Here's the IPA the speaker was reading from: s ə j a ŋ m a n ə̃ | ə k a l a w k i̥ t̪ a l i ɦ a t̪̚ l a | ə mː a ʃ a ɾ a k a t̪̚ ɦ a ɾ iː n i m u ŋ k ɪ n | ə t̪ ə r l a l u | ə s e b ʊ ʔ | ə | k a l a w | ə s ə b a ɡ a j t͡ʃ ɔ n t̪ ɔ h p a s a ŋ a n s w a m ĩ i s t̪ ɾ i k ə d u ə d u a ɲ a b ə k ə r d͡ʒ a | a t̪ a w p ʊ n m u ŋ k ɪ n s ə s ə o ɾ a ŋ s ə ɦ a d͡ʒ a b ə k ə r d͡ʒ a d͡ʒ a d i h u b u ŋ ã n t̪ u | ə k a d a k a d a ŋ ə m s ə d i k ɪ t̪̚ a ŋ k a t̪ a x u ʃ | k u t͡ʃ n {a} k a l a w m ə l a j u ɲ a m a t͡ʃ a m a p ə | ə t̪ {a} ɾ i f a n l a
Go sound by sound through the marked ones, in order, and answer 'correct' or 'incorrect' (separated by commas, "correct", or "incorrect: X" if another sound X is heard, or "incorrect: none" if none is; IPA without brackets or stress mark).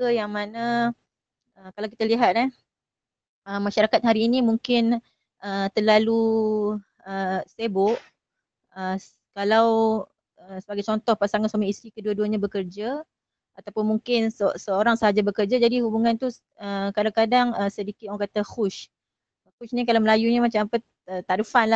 incorrect: i, correct